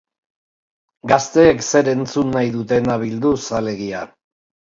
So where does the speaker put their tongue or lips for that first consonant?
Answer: velum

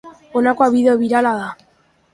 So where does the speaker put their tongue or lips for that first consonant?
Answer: tongue tip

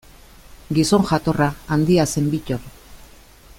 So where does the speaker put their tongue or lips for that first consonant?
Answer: velum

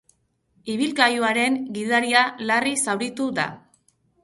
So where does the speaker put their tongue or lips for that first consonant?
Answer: lips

